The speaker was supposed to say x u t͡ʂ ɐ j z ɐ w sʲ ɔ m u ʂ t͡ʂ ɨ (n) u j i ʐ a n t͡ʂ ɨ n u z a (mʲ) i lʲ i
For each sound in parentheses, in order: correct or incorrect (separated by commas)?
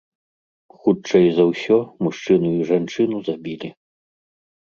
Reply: correct, incorrect